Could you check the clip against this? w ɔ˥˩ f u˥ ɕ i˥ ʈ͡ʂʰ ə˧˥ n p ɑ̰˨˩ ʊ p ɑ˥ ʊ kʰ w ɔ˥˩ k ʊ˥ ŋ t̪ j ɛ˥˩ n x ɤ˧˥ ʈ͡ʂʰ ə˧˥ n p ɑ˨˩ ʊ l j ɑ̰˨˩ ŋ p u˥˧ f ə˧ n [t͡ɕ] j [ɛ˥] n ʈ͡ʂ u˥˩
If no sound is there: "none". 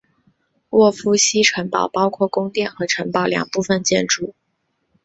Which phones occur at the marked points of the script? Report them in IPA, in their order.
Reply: t͡ɕ, ɛ˥˧

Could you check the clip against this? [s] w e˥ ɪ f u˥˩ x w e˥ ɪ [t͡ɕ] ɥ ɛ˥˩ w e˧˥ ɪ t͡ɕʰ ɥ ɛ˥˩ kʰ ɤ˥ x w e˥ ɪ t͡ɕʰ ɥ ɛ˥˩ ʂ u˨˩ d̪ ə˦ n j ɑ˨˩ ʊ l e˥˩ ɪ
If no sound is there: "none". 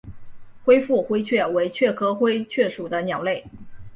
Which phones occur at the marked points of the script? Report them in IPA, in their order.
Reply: x, t͡ɕʰ

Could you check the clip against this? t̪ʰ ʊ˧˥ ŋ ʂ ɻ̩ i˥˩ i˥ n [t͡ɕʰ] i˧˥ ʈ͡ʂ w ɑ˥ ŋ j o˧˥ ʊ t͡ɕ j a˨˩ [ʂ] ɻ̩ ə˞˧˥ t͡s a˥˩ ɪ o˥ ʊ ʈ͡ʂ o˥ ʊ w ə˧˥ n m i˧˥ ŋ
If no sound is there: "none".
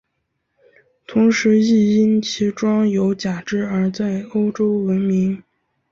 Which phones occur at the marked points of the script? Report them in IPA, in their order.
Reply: t͡ɕʰ, ʈ͡ʂ

